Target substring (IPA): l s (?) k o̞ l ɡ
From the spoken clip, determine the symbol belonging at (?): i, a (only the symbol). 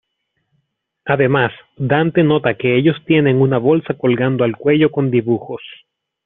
a